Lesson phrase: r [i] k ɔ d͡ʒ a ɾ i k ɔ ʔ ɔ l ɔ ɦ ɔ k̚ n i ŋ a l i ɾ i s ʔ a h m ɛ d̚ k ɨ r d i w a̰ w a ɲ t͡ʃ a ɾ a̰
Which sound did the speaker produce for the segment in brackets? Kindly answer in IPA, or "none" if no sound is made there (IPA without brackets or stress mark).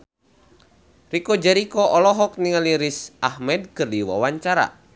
i